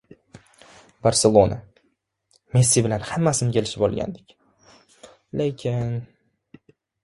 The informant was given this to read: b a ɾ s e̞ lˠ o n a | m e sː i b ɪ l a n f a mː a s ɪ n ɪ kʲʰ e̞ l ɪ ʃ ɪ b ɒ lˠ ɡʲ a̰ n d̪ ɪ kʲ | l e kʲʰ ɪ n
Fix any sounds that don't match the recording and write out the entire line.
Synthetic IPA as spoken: b a ɾ s e̞ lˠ o n a | m e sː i b ɪ l a n h a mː a s ɪ n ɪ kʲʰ e̞ l ɪ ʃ ɪ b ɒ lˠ ɡʲ a̰ n d̪ ɪ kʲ | l e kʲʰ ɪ n